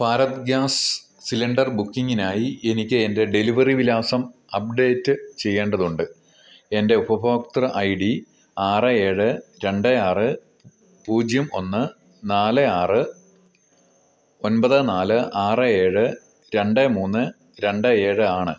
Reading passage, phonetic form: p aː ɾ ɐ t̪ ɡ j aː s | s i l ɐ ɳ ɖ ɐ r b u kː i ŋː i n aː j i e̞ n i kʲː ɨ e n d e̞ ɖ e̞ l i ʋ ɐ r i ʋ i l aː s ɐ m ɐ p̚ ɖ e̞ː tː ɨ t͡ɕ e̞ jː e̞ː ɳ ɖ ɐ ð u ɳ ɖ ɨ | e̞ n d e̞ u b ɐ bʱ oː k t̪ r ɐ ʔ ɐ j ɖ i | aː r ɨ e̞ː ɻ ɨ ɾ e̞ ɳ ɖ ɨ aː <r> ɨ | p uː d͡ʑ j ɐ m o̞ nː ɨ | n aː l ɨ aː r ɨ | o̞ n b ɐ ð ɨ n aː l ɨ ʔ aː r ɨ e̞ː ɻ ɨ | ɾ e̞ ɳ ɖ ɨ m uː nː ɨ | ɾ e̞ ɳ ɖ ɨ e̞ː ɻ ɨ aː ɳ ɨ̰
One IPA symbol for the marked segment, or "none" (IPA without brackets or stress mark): r